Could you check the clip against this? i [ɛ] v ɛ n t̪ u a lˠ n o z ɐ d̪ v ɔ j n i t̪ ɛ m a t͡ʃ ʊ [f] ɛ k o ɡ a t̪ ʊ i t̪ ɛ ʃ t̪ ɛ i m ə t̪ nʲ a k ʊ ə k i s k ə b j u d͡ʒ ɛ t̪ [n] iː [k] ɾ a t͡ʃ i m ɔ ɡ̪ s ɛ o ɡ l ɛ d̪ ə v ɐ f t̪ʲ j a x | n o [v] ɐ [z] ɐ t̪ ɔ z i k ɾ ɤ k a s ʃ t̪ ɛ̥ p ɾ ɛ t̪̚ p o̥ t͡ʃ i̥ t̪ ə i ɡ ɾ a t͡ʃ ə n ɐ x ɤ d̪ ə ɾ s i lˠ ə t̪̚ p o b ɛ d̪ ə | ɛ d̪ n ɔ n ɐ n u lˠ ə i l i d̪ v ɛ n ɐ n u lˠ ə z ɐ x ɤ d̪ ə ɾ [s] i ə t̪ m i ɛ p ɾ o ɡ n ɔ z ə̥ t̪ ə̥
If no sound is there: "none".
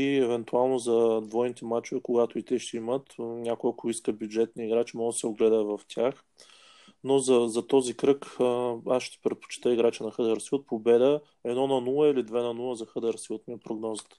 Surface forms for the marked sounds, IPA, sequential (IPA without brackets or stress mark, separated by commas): ɛ, v, n, ɡ, z, z, s